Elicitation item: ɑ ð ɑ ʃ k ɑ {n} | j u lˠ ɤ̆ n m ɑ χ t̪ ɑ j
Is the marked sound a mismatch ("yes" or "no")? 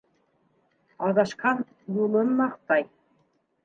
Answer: no